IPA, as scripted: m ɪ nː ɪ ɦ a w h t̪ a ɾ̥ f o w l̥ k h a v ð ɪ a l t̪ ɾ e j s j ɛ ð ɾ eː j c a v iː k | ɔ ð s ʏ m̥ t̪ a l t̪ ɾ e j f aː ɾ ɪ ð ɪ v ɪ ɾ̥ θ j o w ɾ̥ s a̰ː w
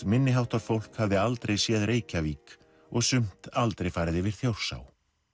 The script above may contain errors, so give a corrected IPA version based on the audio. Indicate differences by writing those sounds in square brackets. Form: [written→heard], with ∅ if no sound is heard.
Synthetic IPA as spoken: m ɪ nː ɪ ɦ a w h t̪ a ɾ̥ f o w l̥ k h a v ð ɪ a l t̪ ɾ e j s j ɛ ð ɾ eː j c a v iː k | ɔ [ð→ɣ] s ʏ m̥ t̪ a l t̪ ɾ e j f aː ɾ ɪ ð ɪ v ɪ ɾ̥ θ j o w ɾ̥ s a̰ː w